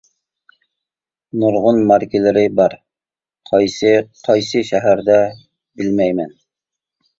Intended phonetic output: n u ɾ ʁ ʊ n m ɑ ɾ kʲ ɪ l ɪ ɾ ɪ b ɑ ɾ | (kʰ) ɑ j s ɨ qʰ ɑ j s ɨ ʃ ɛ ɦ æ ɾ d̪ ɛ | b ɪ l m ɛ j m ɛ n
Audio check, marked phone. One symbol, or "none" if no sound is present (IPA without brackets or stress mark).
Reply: qʰ